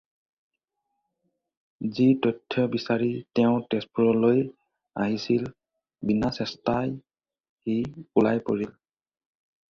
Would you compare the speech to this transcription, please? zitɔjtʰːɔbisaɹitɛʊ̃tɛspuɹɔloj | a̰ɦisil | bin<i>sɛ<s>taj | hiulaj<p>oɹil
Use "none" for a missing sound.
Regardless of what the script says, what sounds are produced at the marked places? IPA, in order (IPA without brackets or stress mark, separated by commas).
a, s, p